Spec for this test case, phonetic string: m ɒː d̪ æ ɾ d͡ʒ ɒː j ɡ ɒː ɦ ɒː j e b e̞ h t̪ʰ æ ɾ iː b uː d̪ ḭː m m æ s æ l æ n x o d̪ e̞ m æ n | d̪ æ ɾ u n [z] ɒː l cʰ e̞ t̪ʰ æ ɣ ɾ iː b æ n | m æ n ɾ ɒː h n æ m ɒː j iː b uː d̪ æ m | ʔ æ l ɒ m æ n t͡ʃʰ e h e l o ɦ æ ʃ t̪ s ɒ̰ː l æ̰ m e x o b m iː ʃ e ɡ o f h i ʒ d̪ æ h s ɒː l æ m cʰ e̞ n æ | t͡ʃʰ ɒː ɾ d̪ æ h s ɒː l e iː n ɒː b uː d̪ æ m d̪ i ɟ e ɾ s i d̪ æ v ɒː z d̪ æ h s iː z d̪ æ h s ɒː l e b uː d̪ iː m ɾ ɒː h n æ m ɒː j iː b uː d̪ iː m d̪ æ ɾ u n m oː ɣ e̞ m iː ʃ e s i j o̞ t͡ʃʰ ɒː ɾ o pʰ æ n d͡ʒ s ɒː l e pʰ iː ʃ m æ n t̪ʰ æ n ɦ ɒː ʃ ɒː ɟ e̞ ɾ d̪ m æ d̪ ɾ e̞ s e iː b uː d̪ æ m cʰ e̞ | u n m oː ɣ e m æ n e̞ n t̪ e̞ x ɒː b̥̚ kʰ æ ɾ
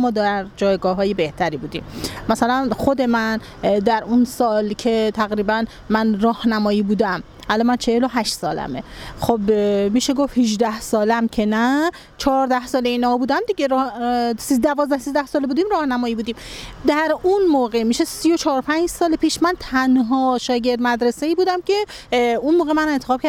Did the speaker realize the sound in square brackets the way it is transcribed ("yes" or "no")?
no